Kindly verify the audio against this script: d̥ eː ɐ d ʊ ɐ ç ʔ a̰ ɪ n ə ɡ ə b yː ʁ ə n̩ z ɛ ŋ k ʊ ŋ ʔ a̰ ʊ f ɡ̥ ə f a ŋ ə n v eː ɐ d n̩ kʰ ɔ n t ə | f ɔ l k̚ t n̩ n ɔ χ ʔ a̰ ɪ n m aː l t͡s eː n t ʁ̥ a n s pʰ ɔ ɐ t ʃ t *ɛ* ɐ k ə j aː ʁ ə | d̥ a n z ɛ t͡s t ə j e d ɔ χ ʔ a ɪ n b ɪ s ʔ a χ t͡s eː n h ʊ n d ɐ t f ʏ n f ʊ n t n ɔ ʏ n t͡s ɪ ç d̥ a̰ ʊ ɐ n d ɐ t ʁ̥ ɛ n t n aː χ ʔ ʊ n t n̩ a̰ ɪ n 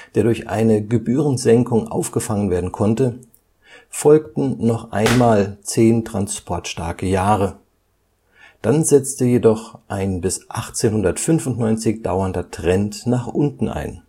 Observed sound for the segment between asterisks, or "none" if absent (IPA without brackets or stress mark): a